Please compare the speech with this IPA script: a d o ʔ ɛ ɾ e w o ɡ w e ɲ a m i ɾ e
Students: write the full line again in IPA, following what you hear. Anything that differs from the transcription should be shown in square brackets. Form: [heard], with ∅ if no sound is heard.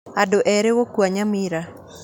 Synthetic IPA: a d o ʔ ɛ ɾ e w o [k] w [a] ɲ a m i ɾ [a]